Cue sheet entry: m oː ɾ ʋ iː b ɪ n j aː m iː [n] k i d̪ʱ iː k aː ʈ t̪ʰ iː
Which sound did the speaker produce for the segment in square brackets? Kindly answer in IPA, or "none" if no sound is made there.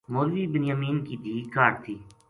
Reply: n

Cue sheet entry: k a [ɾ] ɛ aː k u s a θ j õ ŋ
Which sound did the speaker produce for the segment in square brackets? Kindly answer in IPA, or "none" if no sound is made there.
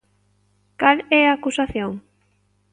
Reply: l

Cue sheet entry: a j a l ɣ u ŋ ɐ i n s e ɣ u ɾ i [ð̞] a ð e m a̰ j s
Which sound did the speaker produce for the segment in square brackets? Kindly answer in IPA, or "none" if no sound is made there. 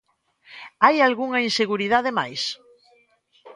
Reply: ð̞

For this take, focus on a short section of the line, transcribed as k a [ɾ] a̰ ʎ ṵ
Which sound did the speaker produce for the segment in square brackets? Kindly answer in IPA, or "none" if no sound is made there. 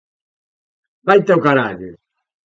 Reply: ɾ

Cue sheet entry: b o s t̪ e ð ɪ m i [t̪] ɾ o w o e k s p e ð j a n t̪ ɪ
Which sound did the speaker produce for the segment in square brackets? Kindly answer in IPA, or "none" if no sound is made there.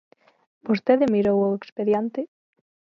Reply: none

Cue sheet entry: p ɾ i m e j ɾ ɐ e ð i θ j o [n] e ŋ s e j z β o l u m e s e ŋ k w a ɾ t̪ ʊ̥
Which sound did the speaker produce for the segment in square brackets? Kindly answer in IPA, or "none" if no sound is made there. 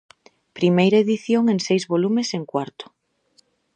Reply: ŋ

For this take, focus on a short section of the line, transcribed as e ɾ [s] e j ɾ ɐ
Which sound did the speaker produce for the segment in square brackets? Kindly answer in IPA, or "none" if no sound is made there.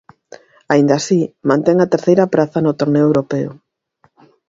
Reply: θ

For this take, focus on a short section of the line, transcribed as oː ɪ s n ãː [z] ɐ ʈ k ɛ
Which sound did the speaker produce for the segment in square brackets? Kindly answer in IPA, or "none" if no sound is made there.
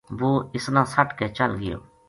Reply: s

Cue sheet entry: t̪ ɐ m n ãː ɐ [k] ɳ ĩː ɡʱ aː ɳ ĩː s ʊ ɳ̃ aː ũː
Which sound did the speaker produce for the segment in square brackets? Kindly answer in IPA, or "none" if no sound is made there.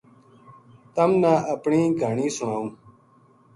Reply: p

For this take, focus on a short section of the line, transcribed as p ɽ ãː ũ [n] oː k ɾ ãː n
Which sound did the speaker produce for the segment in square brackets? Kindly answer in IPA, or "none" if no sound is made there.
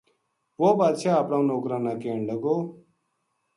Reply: n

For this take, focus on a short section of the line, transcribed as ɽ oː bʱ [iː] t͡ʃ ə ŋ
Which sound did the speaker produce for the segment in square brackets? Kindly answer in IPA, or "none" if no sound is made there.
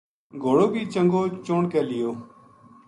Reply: iː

